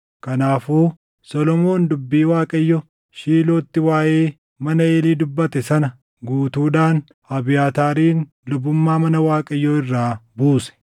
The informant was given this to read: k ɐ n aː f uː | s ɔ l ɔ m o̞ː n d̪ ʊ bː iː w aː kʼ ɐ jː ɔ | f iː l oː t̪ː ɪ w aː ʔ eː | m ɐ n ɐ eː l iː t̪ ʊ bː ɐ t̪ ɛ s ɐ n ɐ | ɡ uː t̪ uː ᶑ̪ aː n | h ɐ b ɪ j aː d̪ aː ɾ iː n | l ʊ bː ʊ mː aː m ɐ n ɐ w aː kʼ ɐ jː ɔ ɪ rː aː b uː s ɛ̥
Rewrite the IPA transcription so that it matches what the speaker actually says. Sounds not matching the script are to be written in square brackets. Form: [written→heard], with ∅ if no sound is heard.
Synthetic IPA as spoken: k ɐ n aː f uː | s ɔ l ɔ m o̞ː n d̪ ʊ bː iː w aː kʼ ɐ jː ɔ | [f→ʃ] iː l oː t̪ː ɪ w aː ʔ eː | m ɐ n ɐ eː l iː [t̪→d̪] ʊ bː ɐ t̪ ɛ s ɐ n ɐ | ɡ uː t̪ uː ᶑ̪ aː n | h ɐ b ɪ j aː [d̪→t̪] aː ɾ iː n | l ʊ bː ʊ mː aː m ɐ n ɐ w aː kʼ ɐ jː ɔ ɪ rː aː b uː s ɛ̥